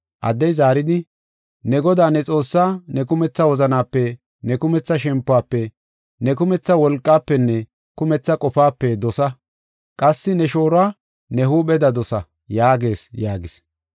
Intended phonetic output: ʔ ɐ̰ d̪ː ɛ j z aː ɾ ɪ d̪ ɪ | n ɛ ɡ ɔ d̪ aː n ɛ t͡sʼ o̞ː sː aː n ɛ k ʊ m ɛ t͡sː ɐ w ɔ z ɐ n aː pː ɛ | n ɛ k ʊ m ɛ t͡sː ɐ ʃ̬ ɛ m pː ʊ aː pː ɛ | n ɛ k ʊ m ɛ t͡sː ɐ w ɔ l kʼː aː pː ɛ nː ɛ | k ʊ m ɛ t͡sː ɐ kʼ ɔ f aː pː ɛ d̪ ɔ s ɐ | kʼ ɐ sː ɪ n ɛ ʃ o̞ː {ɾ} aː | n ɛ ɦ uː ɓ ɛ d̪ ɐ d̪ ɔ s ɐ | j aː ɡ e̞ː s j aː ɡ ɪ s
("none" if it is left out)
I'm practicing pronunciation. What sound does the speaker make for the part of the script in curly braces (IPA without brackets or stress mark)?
ɾ